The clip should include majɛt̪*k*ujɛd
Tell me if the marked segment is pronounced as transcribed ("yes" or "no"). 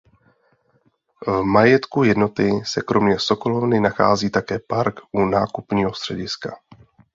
yes